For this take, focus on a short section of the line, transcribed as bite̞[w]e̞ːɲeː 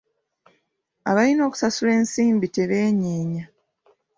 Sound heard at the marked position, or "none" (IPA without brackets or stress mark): β